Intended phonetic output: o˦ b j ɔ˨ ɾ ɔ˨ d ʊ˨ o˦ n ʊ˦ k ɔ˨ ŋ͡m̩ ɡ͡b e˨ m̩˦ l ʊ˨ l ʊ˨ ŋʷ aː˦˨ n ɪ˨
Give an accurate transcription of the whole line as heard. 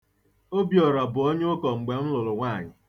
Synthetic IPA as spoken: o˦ b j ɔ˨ ɾ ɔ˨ b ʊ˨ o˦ ɲ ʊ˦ k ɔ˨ ŋ͡m̩ ɡ͡b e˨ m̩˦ l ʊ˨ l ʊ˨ ŋʷ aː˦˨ ɲ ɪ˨